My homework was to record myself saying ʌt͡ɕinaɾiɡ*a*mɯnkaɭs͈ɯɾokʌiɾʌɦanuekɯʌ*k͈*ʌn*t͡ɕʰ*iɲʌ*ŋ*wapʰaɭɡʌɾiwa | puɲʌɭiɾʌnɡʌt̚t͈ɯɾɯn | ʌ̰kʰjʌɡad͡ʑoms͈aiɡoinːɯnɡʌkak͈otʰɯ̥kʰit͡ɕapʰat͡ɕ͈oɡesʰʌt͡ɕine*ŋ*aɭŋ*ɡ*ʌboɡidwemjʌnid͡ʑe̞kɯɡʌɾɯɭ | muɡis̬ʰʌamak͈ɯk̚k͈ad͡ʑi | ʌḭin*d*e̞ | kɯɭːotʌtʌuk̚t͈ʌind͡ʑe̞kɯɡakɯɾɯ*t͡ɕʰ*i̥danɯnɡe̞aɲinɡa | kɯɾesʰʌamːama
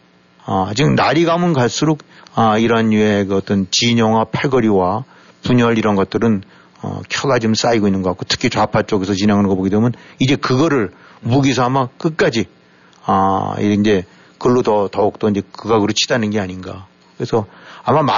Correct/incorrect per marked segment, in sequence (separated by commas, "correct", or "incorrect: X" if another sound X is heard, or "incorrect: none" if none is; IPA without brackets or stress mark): correct, incorrect: t͈, incorrect: t͡ɕ, correct, correct, correct, incorrect: d͡ʑ, correct